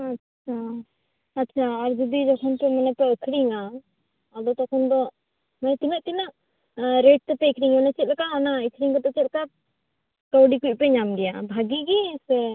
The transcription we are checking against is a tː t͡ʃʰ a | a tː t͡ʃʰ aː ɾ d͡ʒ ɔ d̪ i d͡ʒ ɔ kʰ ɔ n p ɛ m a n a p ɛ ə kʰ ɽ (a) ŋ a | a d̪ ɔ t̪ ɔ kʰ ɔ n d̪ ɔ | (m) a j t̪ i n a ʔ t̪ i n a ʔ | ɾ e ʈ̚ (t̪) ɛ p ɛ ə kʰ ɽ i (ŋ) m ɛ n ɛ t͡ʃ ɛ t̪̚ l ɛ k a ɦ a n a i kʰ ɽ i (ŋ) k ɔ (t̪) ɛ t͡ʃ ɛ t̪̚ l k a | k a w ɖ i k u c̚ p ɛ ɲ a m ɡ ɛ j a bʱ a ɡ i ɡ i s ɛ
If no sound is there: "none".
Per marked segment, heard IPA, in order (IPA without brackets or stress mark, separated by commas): i, m, t̪, ŋ, ŋ, t̪